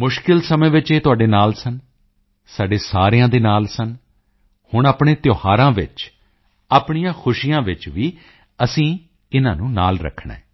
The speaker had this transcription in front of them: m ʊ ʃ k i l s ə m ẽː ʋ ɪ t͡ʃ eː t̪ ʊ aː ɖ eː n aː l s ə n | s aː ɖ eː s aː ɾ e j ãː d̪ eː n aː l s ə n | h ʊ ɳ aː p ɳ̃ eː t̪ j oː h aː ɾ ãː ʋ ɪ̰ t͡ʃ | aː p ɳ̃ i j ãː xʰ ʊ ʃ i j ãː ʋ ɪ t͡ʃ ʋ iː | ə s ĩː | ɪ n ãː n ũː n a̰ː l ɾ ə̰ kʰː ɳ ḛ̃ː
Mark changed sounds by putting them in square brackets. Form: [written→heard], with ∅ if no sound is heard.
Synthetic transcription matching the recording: m ʊ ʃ k [i→ɪ] l s ə m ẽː ʋ ɪ t͡ʃ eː t̪ ʊ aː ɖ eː n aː l s ə n | s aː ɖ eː s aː ɾ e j ãː d̪ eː n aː l s ə n | h ʊ ɳ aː p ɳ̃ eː t̪ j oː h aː ɾ ãː ʋ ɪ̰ t͡ʃ | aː p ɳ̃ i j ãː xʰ ʊ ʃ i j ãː ʋ ɪ t͡ʃ ʋ iː | ə s ĩː | ɪ n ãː n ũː n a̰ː l ɾ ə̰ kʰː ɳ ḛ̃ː